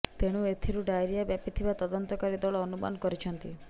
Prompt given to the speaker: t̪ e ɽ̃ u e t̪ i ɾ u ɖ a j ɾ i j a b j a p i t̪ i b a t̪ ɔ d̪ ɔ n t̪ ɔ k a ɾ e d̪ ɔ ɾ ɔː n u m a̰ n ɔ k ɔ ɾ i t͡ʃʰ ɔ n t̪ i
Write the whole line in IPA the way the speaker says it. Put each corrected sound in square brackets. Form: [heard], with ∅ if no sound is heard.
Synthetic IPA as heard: t̪ e ɽ̃ u e [t̪ʰ] i ɾ u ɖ a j ɾ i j a b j a p i [t̪ʰ] i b a t̪ ɔ d̪ ɔ n t̪ ɔ k a ɾ [i] d̪ ɔ [ɭ] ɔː n u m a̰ n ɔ k ɔ ɾ i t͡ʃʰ ɔ n t̪ i

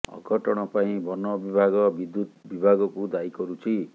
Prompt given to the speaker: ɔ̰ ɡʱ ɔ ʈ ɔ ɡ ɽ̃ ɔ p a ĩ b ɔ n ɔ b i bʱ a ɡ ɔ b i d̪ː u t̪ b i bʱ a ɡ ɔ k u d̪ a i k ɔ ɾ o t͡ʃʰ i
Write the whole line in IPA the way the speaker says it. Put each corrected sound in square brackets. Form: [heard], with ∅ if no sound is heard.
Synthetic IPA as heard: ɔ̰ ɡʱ ɔ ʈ ɔ [∅] ɽ̃ ɔ p a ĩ b ɔ n ɔ b i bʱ a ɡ ɔ b i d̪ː u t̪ b i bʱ a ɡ ɔ k u d̪ a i k ɔ ɾ [u] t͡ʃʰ i

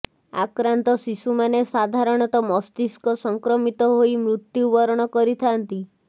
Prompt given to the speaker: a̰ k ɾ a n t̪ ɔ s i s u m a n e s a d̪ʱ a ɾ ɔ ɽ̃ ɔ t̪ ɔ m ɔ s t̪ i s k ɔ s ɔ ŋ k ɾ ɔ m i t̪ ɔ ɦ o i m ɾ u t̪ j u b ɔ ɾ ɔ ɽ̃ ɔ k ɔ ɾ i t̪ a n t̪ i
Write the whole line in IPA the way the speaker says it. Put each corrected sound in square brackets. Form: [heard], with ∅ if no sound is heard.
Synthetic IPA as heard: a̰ k ɾ a n t̪ ɔ s i s u m a n e s a d̪ʱ a ɾ ɔ ɽ̃ ɔ t̪ ɔ m ɔ s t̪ i s k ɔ s ɔ ŋ k ɾ ɔ m i t̪ ɔ ɦ o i m ɾ u t̪ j u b ɔ ɾ ɔ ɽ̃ ɔ k ɔ ɾ i [t̪ʰ] a n t̪ i

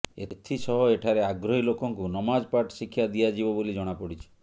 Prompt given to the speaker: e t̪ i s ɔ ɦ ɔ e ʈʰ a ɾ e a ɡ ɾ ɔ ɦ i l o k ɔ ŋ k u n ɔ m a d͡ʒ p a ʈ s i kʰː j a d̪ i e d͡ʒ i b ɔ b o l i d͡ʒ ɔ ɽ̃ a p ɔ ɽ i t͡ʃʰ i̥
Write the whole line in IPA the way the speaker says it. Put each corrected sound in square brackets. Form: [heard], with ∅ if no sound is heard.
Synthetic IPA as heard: e [t̪ʰ] i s ɔ ɦ ɔ e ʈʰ a ɾ e a ɡ ɾ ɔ ɦ i l o k ɔ ŋ k u n ɔ m a d͡ʒ p a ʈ s i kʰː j a d̪ i [a] d͡ʒ i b ɔ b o l i d͡ʒ ɔ ɽ̃ a p ɔ ɽ i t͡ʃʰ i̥

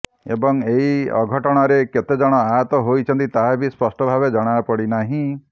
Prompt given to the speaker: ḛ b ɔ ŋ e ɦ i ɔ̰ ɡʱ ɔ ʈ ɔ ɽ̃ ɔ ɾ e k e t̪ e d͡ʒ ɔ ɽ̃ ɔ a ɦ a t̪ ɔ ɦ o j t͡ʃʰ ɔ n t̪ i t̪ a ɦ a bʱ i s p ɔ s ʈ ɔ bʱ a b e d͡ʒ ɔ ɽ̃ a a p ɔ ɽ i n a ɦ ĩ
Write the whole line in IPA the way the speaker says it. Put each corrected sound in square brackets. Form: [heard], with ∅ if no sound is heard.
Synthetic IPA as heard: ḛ b ɔ ŋ e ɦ i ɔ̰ ɡʱ ɔ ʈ ɔ ɽ̃ ɔ ɾ e k e t̪ e d͡ʒ ɔ ɽ̃ ɔ a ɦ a t̪ ɔ ɦ o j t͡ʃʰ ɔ n t̪ i t̪ a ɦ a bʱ i s p ɔ s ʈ ɔ bʱ a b e d͡ʒ ɔ ɽ̃ a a p ɔ ɽ i n a ɦ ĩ

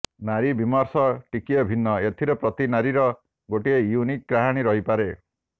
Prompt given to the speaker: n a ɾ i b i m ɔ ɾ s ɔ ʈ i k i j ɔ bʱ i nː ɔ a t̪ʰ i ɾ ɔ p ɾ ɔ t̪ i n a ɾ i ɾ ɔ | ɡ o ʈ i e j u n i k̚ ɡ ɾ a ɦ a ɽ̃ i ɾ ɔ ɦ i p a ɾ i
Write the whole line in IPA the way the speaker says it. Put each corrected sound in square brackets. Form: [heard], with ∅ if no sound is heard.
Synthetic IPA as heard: n a ɾ i b i m ɔ ɾ s ɔ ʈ i k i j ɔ bʱ i nː ɔ [e] t̪ʰ i ɾ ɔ p ɾ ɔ t̪ i n a ɾ i ɾ ɔ | ɡ o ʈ i e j u n i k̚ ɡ ɾ a ɦ a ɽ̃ i ɾ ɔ ɦ i p a ɾ [e]

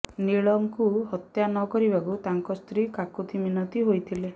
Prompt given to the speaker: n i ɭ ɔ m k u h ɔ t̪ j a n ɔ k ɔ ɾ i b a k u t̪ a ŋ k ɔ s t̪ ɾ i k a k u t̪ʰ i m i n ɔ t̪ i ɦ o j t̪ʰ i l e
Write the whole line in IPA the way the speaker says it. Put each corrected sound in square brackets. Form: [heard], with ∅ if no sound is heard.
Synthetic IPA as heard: n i ɭ ɔ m k u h ɔ t̪ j a n ɔ k ɔ ɾ i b a k u t̪ a ŋ k ɔ s t̪ ɾ i k a k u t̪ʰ i m i n ɔ t̪ i ɦ o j t̪ʰ i l e

